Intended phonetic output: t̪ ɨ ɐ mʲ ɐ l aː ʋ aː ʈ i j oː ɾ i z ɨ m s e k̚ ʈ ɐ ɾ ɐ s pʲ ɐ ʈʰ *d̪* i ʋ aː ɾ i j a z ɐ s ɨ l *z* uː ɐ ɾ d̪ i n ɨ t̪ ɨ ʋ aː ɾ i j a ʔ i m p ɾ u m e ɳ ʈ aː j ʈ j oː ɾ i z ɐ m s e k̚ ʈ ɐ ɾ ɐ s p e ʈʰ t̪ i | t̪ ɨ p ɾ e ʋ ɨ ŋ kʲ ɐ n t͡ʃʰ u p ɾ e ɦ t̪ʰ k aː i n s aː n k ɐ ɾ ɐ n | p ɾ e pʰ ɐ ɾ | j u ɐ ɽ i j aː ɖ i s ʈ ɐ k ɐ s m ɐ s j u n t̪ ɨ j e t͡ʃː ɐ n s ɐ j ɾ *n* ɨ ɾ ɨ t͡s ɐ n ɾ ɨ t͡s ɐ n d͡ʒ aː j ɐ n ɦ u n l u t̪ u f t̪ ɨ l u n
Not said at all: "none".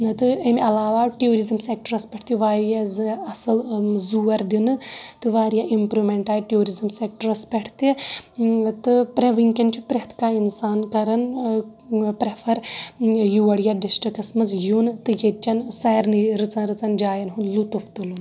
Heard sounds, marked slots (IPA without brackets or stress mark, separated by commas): t̪, z, n